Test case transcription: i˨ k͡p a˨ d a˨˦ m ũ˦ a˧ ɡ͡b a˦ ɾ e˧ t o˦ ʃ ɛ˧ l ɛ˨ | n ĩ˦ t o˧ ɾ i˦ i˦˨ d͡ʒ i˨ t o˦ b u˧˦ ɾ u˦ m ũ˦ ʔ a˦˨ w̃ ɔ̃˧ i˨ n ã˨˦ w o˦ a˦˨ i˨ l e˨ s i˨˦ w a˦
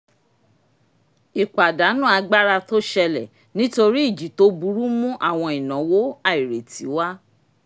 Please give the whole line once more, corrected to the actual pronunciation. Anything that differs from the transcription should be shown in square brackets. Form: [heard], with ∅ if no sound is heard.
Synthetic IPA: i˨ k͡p a˨ d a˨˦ [n] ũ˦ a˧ ɡ͡b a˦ ɾ [a˧] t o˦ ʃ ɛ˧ l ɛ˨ | n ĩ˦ t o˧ ɾ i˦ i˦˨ d͡ʒ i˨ t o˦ b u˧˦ ɾ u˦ m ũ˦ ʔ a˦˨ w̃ ɔ̃˧ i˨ n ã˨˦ w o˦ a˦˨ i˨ [ɾ] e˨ [t] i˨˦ w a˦